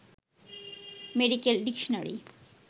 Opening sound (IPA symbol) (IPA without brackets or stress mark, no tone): m